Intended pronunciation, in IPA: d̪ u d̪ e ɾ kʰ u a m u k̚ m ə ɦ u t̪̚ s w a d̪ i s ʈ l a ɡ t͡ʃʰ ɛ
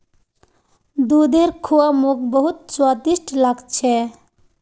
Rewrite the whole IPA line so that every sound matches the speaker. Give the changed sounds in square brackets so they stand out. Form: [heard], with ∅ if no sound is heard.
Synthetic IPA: d̪ u d̪ e ɾ kʰ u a m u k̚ [b] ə ɦ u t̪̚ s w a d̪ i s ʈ l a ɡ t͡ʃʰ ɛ